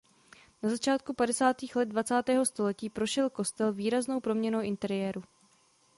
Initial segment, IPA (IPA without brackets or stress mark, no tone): n